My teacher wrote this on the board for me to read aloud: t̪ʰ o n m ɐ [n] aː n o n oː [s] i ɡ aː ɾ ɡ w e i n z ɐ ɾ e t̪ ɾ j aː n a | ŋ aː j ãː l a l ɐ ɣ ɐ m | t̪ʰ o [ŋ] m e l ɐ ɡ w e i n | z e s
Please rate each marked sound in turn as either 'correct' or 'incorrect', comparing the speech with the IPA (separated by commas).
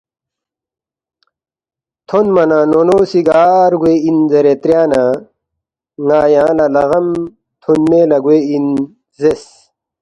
correct, correct, incorrect